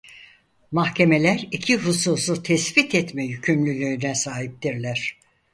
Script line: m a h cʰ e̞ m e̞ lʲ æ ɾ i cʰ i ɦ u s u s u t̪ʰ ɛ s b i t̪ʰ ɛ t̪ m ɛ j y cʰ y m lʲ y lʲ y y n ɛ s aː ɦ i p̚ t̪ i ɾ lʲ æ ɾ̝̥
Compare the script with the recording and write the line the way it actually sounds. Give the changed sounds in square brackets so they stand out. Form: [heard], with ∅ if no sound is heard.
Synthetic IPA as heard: m a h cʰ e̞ m e̞ lʲ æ ɾ i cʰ i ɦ u s u s u t̪ʰ ɛ s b i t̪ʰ ɛ t̪ m ɛ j y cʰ y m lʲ y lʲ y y n ɛ s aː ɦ i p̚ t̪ i ɾ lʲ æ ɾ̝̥